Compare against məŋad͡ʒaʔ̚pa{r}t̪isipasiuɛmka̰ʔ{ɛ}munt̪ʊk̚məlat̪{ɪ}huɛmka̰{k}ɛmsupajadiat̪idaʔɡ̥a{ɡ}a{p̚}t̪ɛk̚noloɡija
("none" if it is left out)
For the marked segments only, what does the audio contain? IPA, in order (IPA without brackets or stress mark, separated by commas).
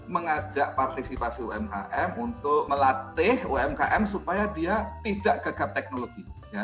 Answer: r, ɛ, ɪ, ʔ, ɡ, p̚